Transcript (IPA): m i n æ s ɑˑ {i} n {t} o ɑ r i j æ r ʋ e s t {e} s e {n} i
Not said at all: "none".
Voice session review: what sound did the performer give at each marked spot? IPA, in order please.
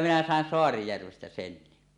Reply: e, s, æ, nː

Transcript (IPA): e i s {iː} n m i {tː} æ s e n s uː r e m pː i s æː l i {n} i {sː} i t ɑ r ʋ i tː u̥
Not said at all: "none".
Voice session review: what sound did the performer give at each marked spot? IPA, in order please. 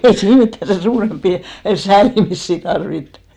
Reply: iː, tː, m, sː

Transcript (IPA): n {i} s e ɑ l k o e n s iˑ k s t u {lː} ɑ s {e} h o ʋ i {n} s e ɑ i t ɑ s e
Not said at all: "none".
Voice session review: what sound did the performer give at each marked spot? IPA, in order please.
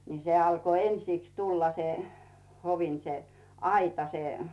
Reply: i, lː, e, n

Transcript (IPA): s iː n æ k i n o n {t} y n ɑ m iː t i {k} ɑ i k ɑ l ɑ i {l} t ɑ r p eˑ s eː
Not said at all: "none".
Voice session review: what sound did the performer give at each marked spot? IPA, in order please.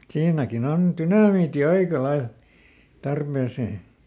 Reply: t, none, l

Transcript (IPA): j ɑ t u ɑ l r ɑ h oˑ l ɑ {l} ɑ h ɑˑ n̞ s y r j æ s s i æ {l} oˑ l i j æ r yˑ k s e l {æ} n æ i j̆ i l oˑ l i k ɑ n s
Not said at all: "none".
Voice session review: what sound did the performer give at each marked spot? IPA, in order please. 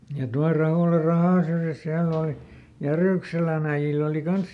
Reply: r, lː, æ

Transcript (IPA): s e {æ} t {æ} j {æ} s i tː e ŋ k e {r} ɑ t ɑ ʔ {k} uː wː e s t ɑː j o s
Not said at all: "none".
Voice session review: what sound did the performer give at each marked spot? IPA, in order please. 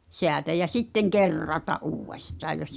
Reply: æ, æ, æ, rː, ʔ

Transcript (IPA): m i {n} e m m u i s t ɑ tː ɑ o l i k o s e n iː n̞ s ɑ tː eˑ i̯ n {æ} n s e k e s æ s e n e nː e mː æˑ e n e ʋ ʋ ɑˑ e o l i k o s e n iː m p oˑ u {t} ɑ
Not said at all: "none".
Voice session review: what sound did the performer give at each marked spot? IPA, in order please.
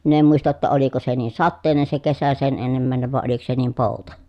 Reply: n, e, t

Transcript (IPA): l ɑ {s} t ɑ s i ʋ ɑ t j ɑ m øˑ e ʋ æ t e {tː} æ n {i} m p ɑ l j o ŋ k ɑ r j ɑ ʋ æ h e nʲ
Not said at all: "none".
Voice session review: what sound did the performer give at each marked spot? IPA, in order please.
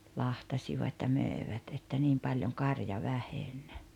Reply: h, tː, iː

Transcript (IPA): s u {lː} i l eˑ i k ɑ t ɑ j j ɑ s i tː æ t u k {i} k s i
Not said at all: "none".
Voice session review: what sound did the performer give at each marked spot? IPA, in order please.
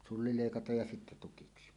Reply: lː, i

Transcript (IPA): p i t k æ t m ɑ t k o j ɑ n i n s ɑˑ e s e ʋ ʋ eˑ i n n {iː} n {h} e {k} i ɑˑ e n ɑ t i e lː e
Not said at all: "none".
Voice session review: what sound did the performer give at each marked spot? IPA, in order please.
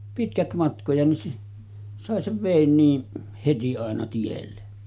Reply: iː, h, t

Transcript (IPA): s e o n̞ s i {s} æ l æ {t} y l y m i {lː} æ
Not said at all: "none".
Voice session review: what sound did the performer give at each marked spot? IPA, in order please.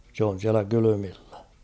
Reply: none, k, lː

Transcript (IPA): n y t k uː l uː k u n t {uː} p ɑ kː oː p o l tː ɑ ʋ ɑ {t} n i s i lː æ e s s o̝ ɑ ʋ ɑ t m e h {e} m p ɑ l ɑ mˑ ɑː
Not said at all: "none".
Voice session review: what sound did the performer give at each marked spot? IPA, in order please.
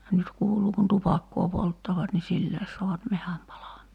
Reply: u, t, æ

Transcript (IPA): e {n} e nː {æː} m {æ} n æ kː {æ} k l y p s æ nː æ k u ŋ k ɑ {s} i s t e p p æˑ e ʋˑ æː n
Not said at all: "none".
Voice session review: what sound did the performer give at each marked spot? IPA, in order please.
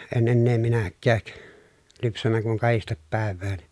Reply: n, eː, i, æː, h

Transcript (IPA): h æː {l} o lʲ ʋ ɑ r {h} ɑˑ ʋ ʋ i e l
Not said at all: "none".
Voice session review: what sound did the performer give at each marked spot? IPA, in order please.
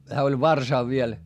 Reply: none, s

